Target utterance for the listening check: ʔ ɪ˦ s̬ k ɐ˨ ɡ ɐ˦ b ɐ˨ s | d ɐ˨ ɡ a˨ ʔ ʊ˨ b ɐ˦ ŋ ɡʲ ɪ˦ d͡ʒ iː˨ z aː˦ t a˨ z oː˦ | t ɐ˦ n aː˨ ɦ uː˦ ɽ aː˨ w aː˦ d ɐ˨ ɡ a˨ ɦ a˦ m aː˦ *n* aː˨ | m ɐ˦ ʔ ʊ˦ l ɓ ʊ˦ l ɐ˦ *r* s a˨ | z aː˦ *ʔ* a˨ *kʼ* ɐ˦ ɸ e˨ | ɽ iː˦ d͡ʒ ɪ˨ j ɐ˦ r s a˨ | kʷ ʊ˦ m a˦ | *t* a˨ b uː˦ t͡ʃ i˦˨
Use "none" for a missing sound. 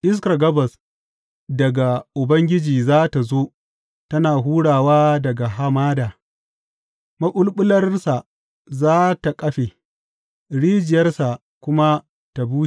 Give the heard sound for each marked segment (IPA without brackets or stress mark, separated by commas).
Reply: d, r, t, kʼ, t